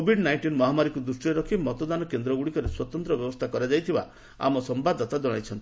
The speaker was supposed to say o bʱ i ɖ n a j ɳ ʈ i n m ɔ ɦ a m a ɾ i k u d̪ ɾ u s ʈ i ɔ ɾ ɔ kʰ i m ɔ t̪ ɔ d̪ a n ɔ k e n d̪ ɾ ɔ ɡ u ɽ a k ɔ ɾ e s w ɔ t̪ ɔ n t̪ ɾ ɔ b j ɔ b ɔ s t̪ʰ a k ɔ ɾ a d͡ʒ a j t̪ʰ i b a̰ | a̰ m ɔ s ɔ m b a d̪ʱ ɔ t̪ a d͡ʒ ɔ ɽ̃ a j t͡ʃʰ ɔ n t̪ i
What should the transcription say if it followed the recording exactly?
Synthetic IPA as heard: o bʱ i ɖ n a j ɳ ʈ i n m ɔ ɦ a m a ɾ i k u d̪ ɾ u s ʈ i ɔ ɾ ɔ kʰ i m ɔ t̪ ɔ d̪ a n ɔ k e n d̪ ɾ ɔ ɡ u ɽ i k ɔ ɾ e s w ɔ t̪ ɔ n t̪ ɾ ɔ b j ɔ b ɔ s t̪ʰ a k ɔ ɾ a d͡ʒ a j t̪ʰ i b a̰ | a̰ m ɔ s ɔ m b a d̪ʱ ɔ t̪ a d͡ʒ ɔ ɽ̃ a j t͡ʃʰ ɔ n t̪ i

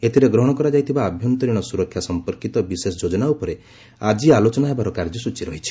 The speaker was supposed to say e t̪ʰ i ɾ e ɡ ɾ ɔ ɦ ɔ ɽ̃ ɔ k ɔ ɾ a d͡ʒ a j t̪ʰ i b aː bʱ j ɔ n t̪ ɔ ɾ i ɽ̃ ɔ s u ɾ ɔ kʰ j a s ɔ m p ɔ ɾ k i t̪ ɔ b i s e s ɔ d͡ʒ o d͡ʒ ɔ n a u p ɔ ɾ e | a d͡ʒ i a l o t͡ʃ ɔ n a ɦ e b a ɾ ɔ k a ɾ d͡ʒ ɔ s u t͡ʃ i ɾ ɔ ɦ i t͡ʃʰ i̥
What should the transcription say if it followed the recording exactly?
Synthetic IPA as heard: e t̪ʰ i ɾ e ɡ ɾ ɔ ɦ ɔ ɽ̃ ɔ k ɔ ɾ a d͡ʒ a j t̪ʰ i b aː bʱ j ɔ n t̪ ɔ ɾ i ɽ̃ ɔ s u ɾ ɔ kʰ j a s ɔ m p ɔ ɾ k i t̪ ɔ b i s e s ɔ d͡ʒ o d͡ʒ ɔ n a u p ɔ ɾ e | a d͡ʒ i a l o t͡ʃ ɔ n a ɦ e b a ɾ ɔ k a ɾ d͡ʒ ɔ s u t͡ʃ i ɾ ɔ ɦ i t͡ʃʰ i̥

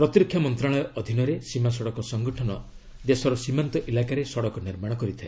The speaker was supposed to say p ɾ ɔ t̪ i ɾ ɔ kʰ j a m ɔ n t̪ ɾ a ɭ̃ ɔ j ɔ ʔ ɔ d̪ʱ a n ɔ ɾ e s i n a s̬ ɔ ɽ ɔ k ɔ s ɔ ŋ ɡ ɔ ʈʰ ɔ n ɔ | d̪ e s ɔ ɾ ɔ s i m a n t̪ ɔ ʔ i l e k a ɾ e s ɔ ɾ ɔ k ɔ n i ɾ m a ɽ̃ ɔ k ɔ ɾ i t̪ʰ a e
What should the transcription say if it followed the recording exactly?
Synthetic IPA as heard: p ɾ ɔ t̪ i ɾ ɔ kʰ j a m ɔ n t̪ ɾ a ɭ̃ ɔ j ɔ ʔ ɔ d̪ʱ i n ɔ ɾ e s i m a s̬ ɔ ɽ ɔ k ɔ s ɔ ŋ ɡ ɔ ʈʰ ɔ n ɔ | d̪ e s ɔ ɾ ɔ s i m a n t̪ ɔ ʔ i l a k a ɾ e s ɔ ɽ ɔ k ɔ n i ɾ m a ɽ̃ ɔ k ɔ ɾ i t̪ʰ a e

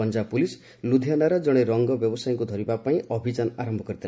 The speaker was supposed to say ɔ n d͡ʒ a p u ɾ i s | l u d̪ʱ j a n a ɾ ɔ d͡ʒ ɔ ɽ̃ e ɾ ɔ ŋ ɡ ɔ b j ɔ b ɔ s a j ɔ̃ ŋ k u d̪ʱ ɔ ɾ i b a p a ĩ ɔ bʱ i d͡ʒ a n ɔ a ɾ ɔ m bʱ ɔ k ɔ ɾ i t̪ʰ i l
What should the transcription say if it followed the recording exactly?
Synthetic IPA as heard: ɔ n d͡ʒ a p u l i s | l u d̪ʱ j a n a ɾ ɔ d͡ʒ ɔ ɽ̃ e ɾ ɔ ŋ ɡ ɔ b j ɔ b ɔ s a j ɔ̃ ŋ k u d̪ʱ ɔ ɾ i b a p a ĩ ɔ bʱ i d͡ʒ a n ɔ a ɾ ɔ m bʱ ɔ k ɔ ɾ i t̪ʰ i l

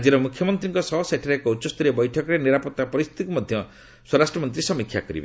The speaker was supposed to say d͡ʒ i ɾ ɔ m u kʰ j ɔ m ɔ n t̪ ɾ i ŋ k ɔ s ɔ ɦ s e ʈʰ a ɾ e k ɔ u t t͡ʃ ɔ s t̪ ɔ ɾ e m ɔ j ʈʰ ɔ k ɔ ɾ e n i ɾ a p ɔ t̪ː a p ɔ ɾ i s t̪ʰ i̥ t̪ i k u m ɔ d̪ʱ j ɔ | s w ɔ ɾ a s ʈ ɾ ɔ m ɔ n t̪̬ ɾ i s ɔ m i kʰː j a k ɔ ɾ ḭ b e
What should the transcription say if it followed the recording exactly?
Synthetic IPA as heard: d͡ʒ i ɾ ɔ m u kʰ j ɔ m ɔ n t̪ ɾ i ŋ k ɔ s ɔ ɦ s e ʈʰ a ɾ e k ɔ u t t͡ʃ ɔ s t̪ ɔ ɾ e b ɔ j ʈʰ ɔ k ɔ ɾ e n i ɾ a p ɔ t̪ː a p ɔ ɾ i s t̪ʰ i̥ t̪ i k u m ɔ d̪ʱ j ɔ | s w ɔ ɾ a s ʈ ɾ ɔ m ɔ n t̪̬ ɾ i s ɔ m i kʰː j a k ɔ ɾ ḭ b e

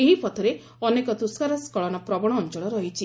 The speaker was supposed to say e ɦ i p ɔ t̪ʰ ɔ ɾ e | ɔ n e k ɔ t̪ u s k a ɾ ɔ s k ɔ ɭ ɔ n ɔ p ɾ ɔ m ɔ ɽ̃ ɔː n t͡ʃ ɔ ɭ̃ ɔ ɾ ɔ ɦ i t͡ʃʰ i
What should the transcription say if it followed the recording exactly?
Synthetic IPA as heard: e ɦ i p ɔ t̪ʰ ɔ ɾ e | ɔ n e k ɔ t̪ u s k a ɾ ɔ s k ɔ ɭ ɔ n ɔ p ɾ ɔ b ɔ ɽ̃ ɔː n t͡ʃ ɔ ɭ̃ ɔ ɾ ɔ ɦ i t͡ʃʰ i

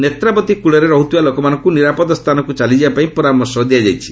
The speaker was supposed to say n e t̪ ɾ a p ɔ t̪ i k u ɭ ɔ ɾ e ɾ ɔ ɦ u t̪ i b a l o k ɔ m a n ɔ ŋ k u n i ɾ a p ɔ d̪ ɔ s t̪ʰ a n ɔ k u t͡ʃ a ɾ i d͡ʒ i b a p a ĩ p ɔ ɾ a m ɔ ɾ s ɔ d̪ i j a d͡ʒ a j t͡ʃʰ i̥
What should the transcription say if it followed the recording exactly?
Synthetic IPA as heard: n e t̪ ɾ a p ɔ t̪ i k u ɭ ɔ ɾ e ɾ ɔ ɦ u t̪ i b a l o k ɔ m a n ɔ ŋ k u n i ɾ a p ɔ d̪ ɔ s t̪ʰ a n ɔ k u t͡ʃ a l i d͡ʒ i b a p a ĩ p ɔ ɾ a m ɔ ɾ s ɔ d̪ i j a d͡ʒ a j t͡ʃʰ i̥

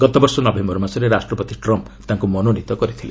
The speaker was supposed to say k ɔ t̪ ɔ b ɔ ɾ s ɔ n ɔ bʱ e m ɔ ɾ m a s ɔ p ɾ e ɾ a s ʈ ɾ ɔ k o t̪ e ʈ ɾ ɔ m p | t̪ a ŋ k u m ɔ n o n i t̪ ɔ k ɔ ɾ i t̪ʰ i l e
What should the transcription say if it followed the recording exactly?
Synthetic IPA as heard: ɡ ɔ t̪ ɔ b ɔ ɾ s ɔ n ɔ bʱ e m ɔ ɾ m a s ɔ ɾ e ɾ a s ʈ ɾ ɔ p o t̪ i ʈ ɾ ɔ m p | t̪ a ŋ k u m ɔ n o n i t̪ ɔ k ɔ ɾ i t̪ʰ i l e

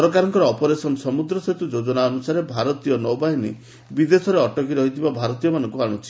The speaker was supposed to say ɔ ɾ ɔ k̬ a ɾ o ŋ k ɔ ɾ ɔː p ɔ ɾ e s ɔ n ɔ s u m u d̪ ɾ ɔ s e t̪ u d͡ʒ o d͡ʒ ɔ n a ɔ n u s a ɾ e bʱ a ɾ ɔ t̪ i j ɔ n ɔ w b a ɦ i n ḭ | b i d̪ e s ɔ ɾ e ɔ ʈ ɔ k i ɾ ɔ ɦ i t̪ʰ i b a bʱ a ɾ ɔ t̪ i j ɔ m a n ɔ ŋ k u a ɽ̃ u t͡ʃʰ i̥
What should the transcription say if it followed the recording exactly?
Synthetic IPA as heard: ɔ ɾ ɔ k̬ a ɾ ɔ ŋ k ɔ ɾ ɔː p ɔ ɾ e s ɔ n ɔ s ɔ m u d̪ ɾ ɔ s e t̪ u d͡ʒ o d͡ʒ ɔ n a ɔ n u s a ɾ e bʱ a ɾ ɔ t̪ i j ɔ n ɔ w b a ɦ i n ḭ | b i d̪ e s ɔ ɾ e ɔ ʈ ɔ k i ɾ ɔ ɦ i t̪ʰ i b a bʱ a ɾ ɔ t̪ i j ɔ m a n ɔ ŋ k u a ɽ̃ u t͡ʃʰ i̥

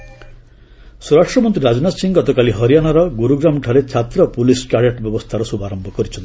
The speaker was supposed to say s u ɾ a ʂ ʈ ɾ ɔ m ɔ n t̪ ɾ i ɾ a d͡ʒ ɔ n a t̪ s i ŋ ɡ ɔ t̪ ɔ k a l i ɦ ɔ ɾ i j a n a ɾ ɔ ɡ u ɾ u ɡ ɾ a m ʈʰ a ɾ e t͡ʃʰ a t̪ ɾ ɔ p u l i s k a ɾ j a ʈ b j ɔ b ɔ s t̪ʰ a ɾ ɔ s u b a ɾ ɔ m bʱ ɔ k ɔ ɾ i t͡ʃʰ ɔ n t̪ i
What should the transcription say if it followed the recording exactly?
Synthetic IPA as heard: s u ɾ a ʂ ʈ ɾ ɔ m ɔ n t̪ ɾ i ɾ a d͡ʒ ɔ n a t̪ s i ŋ ɡ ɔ t̪ ɔ k a l i ɦ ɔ ɾ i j a n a ɾ ɔ ɡ u ɾ u ɡ ɾ a m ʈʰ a ɾ e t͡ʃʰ a t̪ ɾ ɔ p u l i s k a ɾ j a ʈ b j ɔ b ɔ s t̪ʰ a ɾ ɔ s u b a ɾ ɔ m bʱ ɔ k ɔ ɾ i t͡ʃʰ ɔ n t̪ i

